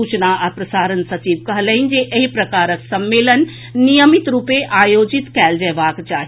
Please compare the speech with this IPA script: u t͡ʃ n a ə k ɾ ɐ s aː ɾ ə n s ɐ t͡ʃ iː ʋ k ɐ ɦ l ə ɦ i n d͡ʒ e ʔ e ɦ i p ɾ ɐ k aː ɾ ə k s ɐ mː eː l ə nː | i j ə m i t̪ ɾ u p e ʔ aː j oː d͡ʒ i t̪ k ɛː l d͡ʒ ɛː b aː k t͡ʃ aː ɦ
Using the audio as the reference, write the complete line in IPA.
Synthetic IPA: u t͡ʃ n a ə p ɾ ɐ s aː ɾ ə n s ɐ t͡ʃ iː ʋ k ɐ ɦ l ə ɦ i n d͡ʒ e ʔ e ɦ i p ɾ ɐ k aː ɾ ə k s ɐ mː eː l ə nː | i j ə m i t̪ ɾ u p e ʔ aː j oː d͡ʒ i t̪ k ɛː l d͡ʒ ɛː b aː k t͡ʃ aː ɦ